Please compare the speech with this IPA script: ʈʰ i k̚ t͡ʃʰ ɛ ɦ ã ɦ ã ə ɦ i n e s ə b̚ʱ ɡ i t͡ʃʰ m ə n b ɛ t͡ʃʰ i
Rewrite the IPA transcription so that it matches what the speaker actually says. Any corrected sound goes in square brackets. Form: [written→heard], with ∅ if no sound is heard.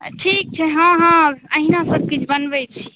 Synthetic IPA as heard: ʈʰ i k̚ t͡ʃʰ ɛ ɦ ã ɦ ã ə ɦ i n [e→a] s ə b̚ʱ [ɡ→k] i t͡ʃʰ [m→b] ə n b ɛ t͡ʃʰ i